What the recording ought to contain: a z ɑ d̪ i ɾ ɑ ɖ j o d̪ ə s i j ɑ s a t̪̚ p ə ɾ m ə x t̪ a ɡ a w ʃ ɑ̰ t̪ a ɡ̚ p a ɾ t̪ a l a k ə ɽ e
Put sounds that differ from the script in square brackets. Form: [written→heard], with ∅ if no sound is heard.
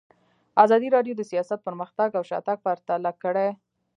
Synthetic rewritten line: a z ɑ d̪ i ɾ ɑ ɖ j o d̪ ə s i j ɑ s a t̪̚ p ə ɾ m ə x t̪ a ɡ a w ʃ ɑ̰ t̪ a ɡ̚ p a ɾ t̪ a l a k ə ɽ e